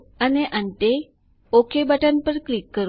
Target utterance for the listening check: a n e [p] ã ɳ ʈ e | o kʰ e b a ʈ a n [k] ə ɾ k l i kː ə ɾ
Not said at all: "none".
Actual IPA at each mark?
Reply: ʔ, p

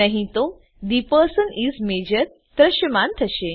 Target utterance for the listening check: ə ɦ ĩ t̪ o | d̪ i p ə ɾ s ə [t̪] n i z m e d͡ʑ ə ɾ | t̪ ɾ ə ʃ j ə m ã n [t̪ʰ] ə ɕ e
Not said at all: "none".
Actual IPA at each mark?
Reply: none, t̪ʰ

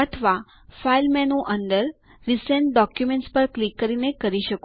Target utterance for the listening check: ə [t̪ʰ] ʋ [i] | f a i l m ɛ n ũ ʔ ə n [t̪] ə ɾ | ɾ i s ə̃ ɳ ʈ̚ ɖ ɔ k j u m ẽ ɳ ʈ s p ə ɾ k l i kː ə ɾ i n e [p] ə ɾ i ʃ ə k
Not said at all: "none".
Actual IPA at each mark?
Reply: t̪ʰ, a, d̪, k

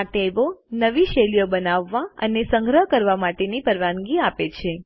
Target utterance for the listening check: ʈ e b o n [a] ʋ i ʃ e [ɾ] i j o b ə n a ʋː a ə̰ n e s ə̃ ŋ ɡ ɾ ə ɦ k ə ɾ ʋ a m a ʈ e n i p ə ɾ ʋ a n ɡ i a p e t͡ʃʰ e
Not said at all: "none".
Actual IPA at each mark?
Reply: ə, l

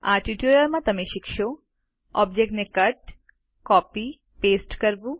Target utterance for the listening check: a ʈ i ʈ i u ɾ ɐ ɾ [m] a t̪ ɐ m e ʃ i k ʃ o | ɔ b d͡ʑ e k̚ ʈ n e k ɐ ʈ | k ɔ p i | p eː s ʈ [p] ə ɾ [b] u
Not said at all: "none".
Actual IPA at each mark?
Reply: m, k, b

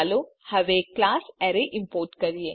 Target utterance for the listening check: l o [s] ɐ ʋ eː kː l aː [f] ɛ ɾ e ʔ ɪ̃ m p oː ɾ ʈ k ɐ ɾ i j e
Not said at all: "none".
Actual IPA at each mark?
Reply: h, s

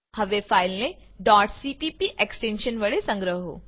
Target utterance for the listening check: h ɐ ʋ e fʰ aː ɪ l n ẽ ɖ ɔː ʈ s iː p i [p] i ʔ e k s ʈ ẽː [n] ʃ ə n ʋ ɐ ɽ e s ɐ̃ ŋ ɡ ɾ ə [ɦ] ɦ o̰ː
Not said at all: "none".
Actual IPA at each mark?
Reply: p, n, ɦ

